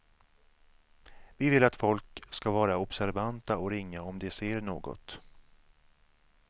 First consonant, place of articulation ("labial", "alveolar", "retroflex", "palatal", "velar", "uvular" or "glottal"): labial